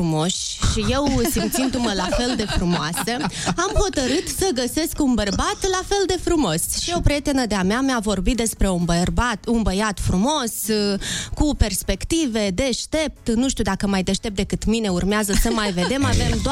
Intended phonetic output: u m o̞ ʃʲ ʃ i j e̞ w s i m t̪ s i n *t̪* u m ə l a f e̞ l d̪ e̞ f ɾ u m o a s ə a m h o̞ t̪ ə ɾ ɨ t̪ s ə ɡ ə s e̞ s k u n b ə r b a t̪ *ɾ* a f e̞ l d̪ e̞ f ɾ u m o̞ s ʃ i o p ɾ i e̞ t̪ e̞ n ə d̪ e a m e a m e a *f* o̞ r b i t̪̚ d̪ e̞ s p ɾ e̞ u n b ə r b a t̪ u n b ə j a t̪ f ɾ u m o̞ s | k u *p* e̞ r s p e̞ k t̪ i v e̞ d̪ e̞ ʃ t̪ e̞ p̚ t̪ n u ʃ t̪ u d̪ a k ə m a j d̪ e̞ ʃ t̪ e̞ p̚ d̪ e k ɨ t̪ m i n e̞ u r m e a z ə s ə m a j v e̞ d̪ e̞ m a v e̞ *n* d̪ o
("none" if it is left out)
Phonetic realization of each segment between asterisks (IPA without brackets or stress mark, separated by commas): d̪, l, v, p, m